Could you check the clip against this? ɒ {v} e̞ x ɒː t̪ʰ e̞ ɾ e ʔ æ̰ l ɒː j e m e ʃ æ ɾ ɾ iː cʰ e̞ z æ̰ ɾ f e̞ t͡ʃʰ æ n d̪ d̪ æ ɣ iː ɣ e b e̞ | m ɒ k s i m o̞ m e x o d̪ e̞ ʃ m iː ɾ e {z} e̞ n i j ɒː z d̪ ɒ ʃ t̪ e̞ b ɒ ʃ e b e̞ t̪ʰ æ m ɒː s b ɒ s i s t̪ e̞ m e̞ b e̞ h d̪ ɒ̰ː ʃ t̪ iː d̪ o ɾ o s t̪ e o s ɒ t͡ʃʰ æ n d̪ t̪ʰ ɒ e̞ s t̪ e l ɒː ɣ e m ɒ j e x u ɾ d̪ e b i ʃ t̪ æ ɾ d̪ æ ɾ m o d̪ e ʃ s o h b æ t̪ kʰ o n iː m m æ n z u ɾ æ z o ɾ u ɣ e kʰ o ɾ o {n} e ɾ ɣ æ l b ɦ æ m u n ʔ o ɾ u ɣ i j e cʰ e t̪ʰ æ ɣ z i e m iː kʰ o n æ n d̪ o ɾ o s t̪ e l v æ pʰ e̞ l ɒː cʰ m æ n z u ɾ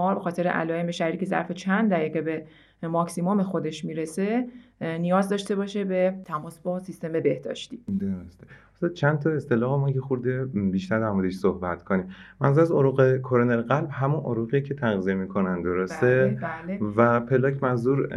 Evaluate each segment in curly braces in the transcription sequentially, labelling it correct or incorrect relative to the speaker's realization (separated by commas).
incorrect, incorrect, correct